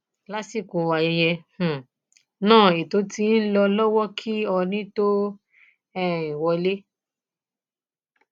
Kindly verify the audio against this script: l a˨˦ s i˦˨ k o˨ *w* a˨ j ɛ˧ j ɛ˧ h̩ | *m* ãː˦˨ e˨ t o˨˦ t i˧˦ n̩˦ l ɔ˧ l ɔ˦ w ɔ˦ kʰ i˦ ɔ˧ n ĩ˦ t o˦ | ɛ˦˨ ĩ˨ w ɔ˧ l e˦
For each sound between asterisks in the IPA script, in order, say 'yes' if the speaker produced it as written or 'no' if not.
yes, no

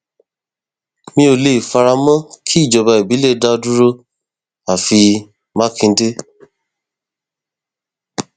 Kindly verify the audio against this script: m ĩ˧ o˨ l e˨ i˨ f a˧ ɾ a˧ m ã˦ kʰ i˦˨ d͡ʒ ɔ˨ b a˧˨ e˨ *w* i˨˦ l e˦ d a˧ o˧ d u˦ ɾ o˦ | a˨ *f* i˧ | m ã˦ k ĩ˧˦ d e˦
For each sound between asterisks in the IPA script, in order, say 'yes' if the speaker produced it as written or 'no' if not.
no, yes

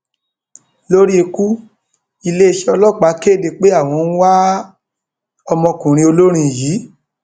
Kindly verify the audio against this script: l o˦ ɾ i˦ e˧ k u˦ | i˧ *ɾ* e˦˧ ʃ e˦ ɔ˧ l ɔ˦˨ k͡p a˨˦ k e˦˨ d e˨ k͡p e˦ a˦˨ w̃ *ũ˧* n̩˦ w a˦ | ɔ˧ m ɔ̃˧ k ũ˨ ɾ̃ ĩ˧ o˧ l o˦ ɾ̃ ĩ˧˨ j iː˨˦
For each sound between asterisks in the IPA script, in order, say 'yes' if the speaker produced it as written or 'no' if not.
no, no

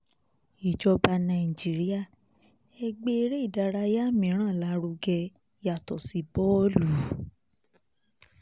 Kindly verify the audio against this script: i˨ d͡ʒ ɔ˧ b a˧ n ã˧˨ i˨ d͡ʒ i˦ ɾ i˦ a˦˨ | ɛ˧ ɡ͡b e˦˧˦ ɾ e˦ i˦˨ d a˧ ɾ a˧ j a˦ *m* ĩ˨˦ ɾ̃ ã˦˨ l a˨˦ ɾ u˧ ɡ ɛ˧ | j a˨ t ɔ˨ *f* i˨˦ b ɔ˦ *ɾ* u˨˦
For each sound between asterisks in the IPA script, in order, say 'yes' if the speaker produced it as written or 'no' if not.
yes, no, no

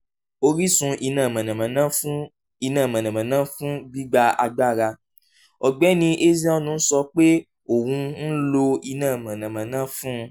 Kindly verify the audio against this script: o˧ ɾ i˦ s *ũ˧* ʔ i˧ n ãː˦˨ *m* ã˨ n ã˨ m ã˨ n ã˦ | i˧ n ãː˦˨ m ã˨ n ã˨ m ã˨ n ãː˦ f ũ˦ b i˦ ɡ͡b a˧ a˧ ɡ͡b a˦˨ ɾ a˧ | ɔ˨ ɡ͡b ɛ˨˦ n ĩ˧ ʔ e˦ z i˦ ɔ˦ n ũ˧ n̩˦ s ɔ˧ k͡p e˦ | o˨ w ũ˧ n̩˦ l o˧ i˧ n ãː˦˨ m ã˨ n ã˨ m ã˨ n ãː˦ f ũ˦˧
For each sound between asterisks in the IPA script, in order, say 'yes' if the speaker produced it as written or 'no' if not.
yes, yes

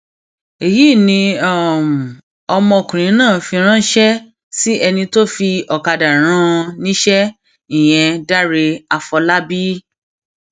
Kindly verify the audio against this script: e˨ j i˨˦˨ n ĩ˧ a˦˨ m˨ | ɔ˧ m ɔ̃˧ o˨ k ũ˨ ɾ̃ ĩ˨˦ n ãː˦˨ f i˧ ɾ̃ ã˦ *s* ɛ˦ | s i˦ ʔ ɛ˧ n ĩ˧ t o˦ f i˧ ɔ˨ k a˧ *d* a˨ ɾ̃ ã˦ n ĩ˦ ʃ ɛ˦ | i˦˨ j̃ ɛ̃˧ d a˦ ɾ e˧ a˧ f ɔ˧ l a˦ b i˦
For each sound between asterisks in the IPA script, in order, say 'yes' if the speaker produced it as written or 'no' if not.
no, yes

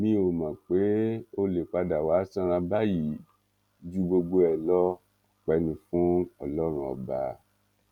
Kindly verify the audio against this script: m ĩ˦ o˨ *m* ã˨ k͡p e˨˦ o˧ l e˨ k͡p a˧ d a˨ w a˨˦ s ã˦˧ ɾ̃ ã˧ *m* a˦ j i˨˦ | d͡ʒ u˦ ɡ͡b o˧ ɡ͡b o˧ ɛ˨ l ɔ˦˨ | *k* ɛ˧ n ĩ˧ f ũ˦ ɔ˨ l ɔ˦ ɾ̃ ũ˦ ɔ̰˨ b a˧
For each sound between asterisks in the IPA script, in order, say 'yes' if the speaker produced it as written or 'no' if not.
yes, no, no

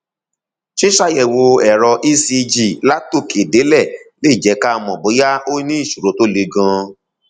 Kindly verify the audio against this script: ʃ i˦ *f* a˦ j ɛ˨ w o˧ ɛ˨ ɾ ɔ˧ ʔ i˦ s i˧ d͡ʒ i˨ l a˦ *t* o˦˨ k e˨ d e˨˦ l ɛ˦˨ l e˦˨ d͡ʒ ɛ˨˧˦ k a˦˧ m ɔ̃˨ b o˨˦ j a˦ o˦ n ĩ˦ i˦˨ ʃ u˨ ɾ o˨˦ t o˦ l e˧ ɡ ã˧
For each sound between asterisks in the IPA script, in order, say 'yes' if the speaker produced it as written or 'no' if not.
no, yes

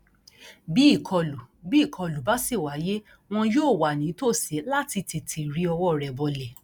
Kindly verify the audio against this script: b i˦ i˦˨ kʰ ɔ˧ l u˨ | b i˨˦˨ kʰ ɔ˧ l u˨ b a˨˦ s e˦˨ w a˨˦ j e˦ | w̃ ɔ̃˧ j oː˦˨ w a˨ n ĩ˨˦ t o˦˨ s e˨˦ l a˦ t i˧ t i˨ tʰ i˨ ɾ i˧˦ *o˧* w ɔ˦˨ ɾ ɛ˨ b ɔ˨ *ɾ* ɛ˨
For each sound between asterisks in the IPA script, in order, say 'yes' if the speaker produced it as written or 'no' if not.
no, no

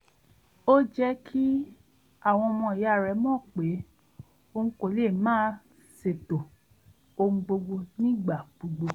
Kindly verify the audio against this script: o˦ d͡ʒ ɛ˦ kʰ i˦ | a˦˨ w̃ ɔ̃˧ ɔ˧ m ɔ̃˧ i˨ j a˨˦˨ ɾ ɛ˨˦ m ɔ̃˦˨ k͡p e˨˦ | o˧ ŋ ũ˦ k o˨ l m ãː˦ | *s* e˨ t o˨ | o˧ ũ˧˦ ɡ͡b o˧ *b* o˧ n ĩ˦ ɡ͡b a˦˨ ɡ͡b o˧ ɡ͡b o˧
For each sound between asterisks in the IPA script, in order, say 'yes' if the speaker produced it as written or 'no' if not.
yes, no

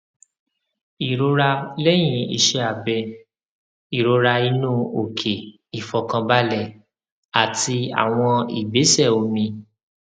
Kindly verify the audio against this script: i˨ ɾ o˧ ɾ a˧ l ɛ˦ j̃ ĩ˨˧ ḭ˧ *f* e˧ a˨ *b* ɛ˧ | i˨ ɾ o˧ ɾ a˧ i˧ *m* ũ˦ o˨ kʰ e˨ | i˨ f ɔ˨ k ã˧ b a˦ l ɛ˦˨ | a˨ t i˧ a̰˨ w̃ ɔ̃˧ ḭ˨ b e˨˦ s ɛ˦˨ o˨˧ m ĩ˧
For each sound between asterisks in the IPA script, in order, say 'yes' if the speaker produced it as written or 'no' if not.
no, yes, no

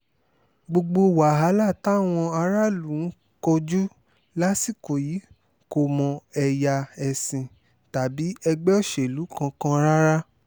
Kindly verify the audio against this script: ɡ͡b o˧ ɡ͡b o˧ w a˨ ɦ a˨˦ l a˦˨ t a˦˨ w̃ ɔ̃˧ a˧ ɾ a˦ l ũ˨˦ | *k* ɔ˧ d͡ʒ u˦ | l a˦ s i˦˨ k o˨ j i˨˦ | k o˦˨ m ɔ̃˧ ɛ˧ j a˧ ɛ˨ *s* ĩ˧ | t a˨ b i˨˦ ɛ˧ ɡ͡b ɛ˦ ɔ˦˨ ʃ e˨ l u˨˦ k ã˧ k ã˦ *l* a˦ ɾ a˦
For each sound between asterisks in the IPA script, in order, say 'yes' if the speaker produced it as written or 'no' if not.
yes, yes, no

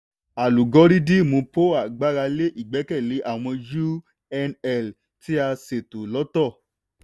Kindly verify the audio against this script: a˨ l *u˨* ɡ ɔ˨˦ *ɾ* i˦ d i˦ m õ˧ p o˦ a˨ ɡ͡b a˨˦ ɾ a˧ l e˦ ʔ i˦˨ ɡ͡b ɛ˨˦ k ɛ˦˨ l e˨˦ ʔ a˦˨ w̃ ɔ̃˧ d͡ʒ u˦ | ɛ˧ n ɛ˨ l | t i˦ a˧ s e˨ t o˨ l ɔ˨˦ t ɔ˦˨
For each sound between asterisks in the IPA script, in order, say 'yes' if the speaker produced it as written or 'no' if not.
yes, yes

